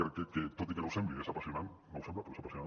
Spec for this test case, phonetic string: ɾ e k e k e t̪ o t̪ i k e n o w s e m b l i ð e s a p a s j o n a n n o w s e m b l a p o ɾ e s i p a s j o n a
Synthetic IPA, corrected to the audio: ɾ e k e k e t̪ o t̪ i k e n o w s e m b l i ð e s a p a s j o n a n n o w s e m b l a p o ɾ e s a p a s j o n a

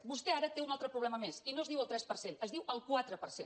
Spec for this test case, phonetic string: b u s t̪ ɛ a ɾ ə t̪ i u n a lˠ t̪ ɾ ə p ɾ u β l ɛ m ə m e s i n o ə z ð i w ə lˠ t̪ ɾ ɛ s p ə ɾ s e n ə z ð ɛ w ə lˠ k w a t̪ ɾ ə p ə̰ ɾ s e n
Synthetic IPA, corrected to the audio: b u s t̪ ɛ a ɾ ə t̪ e u n a lˠ t̪ ɾ ə p ɾ u β l ɛ m ə m e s i n o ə z ð i w ə lˠ t̪ ɾ ɛ s p ə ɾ s e n ə z ð i w ə lˠ k w a t̪ ɾ ə p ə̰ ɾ s e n

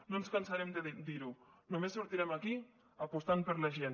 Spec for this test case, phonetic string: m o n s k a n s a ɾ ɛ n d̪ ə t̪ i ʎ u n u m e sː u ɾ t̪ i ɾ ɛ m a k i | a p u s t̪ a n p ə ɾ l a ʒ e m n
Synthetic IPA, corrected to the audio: n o n s k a n s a ɾ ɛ m d̪ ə d̪ i ɾ u n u m e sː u ɾ t̪ i ɾ ɛ m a k i | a p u s t̪ a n p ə ɾ l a ʒ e n

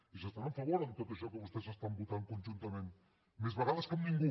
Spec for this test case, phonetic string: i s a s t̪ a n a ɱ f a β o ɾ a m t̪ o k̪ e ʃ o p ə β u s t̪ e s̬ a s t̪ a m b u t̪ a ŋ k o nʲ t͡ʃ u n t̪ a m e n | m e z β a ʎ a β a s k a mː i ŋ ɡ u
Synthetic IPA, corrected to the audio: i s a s t̪ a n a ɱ f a β o ɾ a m t̪ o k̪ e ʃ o k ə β u s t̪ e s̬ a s t̪ a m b u t̪ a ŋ k o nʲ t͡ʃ u n t̪ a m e n | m e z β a ɾ a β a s k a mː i ŋ ɡ u

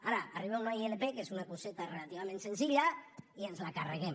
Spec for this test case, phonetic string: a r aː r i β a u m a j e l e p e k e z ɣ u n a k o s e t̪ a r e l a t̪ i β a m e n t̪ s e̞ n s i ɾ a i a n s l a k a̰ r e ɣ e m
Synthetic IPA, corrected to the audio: a ɾ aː r i β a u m a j e l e p e k e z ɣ u n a k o s e t̪ a r e l a t̪ i β a m e n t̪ s e̞ n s i ʎ a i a n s l a k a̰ r e ɣ e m

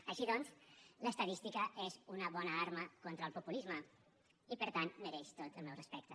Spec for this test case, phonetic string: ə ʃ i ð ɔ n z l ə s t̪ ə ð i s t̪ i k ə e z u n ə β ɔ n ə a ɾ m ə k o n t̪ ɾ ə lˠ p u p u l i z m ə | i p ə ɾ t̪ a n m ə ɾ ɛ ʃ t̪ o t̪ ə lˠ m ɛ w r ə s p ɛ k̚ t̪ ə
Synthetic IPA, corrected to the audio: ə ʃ i ð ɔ n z l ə s t̪ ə ð i s t̪ i k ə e z u n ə β ɔ n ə a ɾ m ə k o n t̪ ɾ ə lˠ p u p u l i z m ə | i p ə ɾ t̪ a n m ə ɾ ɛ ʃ t̪ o t̪ ə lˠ m ɛ w r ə s p ɛ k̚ t̪ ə

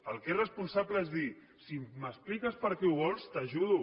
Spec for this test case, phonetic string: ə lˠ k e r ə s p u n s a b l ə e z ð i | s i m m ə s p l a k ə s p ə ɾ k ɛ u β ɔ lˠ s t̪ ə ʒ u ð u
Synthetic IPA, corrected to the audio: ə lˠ k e r ə s p u n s a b l ə e z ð i | s i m m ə s p l i k ə s p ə ɾ k ɛ u β ɔ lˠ s t̪ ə ʒ u ð u

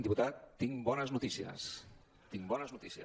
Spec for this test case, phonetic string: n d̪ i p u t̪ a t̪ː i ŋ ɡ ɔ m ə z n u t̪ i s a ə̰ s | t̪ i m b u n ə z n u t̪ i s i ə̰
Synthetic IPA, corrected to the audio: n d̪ i p u t̪ a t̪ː i ŋ b ɔ n ə z n u t̪ i s i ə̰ s | t̪ i ŋ b ɔ n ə z n u t̪ i s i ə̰

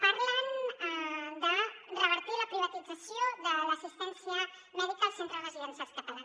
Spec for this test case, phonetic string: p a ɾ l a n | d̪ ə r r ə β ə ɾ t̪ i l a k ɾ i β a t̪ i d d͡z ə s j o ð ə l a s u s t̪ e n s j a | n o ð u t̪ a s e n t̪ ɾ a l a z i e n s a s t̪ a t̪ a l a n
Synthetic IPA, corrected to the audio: p a ɾ l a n | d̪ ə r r ə β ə ɾ t̪ i l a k ɾ i β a t̪ i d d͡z a s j o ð ə l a s u s t̪ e n s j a | n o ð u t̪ a s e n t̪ ɾ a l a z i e n s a s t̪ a t̪ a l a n

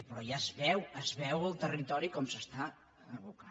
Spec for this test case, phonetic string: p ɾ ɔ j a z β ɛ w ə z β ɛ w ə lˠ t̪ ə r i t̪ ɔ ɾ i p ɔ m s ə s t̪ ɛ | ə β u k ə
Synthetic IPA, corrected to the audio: p ɾ ɔ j a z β ɛ w ə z β ɛ w ə lˠ t̪ ə r i t̪ ɔ ɾ i k ɔ m s ə s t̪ a | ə β u k a

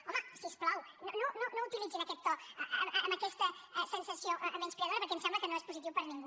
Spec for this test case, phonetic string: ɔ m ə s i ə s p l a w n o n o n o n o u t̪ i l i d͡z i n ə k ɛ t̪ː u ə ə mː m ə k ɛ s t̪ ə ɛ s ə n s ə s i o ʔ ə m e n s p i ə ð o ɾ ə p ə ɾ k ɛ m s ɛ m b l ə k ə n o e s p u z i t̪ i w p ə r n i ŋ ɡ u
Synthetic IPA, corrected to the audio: ɔ m ə s i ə s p l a w n o n o n o n o u t̪ i l i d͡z i n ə k ɛ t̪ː ɔ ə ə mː m ə k ɛ s t̪ ə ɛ s ə n s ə s i o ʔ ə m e n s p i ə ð o ɾ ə p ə ɾ k ɛ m s ɛ m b l ə k ə n o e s p u z i t̪ i w p ə ɾ n i ŋ ɡ u

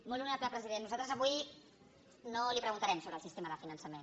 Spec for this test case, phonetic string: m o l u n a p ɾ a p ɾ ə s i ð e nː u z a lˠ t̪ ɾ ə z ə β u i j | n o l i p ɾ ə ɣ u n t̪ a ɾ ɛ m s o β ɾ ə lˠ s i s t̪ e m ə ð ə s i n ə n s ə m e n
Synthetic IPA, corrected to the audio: m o l u n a p l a p ɾ ə z i ð e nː u z a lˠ t̪ ɾ ə z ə β u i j | n o l i p ɾ ə ɣ u n t̪ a ɾ ɛ m s o β ɾ ə lˠ s i s t̪ e m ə ð ə f i n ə n s ə m e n

